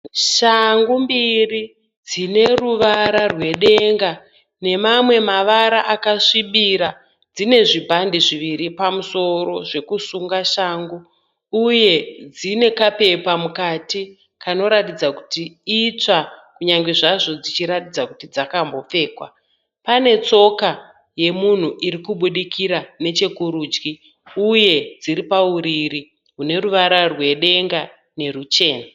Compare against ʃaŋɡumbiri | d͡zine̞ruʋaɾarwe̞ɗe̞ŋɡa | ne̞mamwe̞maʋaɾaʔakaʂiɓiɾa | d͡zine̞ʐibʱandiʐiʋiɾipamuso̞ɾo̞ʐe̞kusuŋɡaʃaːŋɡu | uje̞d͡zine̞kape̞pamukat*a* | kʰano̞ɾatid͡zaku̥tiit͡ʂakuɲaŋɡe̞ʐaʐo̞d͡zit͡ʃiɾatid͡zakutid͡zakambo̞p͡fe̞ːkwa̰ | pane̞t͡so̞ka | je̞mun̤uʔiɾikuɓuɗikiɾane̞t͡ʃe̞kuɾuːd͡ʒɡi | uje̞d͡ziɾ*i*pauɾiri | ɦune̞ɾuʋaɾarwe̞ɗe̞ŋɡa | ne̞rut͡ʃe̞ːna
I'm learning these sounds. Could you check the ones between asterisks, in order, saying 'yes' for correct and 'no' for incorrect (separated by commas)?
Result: no, yes